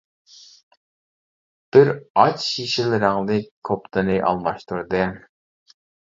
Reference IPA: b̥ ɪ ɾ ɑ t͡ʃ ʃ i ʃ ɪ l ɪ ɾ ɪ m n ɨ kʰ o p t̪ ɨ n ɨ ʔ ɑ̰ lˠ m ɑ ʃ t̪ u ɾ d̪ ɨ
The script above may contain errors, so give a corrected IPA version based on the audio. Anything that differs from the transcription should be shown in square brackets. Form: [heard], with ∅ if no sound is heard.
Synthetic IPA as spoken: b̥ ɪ ɾ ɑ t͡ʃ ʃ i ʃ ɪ l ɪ ɾ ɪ [ŋ] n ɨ kʰ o p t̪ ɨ n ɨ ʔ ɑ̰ lˠ m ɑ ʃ t̪ u ɾ d̪ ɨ